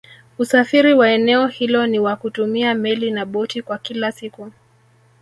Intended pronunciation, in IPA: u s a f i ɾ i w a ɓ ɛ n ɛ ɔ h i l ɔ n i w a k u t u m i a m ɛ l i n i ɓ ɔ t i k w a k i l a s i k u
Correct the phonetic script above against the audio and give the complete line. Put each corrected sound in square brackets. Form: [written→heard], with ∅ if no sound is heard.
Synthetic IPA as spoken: u s a f i ɾ i w a [ɓ→∅] ɛ n ɛ ɔ h i l ɔ n i w a k u t u m i a m ɛ l i n [i→a] ɓ ɔ t i k w a k i l a s i k u